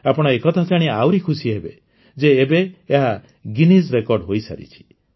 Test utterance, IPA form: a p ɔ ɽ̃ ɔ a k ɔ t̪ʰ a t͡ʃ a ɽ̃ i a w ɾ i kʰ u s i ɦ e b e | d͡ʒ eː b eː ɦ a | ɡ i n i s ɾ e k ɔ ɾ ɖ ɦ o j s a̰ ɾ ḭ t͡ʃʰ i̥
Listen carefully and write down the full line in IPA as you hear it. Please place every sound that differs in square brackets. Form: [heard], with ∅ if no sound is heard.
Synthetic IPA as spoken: a p ɔ ɽ̃ ɔ [e] k ɔ t̪ʰ a t͡ʃ a ɽ̃ i a w ɾ i kʰ u s i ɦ e b e | d͡ʒ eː b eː ɦ a | ɡ i n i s ɾ e k ɔ ɾ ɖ ɦ o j s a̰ ɾ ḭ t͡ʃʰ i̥